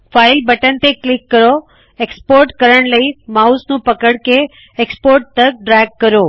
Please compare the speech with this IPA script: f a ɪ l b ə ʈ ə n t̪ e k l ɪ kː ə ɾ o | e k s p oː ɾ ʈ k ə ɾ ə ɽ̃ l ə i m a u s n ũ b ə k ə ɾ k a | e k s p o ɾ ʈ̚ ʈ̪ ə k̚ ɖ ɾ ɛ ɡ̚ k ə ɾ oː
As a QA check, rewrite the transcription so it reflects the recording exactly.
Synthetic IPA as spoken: f a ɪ l b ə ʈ ə n t̪ e k l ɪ kː ə ɾ o | e k s p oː ɾ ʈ k ə ɾ ə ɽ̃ l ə i m a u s n ũ p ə k ə ɽ k e | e k s p o ɾ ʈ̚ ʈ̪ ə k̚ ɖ ɾ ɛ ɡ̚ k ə ɾ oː